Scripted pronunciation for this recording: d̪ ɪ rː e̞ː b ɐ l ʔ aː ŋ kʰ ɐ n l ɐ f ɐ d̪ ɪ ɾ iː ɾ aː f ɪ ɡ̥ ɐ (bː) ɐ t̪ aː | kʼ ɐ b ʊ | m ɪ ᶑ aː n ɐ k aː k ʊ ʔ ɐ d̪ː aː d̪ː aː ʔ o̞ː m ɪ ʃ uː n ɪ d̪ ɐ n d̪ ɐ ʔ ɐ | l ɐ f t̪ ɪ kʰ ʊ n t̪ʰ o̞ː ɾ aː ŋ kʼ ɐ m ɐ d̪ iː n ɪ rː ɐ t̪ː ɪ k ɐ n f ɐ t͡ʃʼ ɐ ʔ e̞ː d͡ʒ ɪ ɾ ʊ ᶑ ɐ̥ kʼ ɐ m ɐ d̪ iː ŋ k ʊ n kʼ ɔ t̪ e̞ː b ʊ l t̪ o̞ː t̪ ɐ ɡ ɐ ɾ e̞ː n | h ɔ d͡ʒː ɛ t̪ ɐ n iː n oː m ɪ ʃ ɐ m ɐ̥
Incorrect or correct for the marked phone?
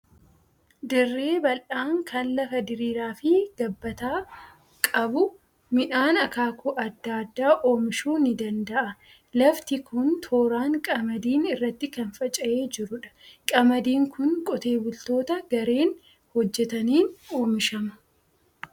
correct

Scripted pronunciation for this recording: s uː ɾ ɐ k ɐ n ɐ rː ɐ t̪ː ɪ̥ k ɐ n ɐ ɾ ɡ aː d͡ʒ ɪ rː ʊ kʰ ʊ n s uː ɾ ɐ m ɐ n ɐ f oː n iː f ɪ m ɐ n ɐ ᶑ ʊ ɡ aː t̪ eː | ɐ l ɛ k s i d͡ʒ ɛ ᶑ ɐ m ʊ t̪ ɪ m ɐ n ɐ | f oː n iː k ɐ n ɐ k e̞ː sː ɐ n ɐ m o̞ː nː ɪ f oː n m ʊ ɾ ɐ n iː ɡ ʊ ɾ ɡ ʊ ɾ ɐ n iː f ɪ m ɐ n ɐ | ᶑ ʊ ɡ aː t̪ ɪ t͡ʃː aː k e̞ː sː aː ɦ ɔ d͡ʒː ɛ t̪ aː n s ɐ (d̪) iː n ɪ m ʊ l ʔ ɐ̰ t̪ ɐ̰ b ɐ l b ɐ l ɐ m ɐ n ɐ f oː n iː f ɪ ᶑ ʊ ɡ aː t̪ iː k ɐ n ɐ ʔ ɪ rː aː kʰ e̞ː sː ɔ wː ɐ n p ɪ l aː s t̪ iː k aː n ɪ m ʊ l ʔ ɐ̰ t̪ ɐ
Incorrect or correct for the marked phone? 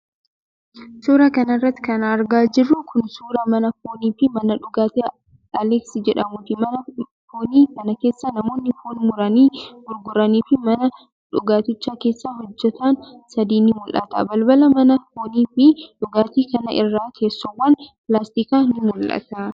correct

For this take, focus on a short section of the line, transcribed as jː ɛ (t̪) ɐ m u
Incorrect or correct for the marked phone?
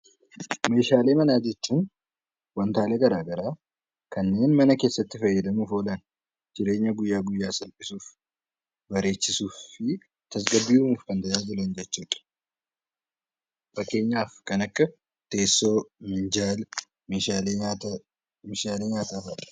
incorrect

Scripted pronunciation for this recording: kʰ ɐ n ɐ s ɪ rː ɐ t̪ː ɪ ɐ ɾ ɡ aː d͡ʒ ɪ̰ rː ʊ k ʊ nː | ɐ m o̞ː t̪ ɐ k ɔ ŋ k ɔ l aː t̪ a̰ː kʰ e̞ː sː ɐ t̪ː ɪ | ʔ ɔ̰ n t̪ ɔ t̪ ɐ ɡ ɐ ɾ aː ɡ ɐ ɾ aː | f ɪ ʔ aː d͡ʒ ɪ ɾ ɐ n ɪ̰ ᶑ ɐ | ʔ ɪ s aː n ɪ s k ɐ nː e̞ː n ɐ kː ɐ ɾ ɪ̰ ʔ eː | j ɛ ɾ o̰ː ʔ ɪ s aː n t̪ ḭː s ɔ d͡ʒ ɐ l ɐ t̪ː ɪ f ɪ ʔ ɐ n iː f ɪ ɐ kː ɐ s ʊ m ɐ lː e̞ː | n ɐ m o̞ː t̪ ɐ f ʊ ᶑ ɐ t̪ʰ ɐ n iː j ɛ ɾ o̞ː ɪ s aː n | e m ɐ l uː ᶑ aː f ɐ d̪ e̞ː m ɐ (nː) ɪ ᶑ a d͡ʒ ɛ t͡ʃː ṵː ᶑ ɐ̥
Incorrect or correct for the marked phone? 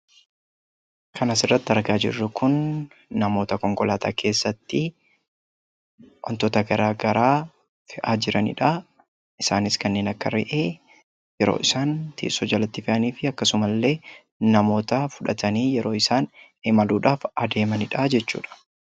incorrect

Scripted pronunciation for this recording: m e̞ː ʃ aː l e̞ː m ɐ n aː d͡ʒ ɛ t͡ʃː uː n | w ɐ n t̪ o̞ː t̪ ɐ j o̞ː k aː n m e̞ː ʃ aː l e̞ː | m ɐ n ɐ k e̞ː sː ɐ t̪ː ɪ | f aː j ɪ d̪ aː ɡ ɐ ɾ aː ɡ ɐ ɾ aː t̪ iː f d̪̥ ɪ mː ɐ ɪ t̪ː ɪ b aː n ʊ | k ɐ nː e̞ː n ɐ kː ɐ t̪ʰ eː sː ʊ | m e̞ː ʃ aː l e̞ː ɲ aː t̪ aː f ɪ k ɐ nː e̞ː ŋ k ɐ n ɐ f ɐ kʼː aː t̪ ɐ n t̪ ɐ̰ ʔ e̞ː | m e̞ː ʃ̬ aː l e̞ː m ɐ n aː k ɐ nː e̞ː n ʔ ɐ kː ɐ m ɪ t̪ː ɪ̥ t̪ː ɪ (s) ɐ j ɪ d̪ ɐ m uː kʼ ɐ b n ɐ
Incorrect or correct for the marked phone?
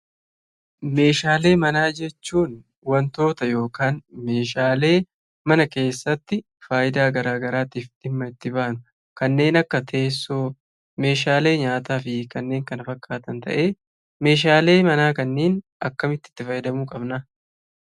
incorrect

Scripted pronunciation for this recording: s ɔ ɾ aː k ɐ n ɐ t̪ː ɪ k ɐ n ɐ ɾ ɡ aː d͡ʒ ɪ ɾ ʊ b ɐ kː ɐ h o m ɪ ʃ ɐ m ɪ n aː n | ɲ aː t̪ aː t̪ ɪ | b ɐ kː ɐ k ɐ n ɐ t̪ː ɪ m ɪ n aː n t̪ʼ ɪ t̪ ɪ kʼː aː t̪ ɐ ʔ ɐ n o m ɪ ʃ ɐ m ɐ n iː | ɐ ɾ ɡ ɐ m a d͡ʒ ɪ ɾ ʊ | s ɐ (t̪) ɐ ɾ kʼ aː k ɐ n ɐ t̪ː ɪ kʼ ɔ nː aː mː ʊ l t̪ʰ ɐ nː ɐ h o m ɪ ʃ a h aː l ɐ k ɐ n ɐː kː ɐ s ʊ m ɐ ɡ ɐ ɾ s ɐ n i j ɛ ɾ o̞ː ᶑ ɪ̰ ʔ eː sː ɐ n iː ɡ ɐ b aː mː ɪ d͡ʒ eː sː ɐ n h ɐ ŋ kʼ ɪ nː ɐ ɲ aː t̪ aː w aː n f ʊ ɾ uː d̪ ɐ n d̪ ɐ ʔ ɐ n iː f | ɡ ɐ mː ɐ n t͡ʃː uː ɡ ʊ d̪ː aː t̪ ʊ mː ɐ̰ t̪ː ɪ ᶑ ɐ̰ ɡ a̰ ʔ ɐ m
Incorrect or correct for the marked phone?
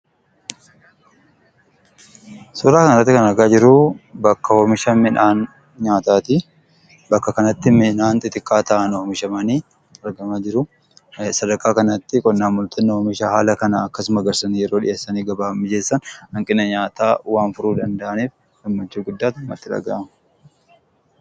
incorrect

